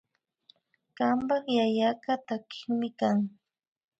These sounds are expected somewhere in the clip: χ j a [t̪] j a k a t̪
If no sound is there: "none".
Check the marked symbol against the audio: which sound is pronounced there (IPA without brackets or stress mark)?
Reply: none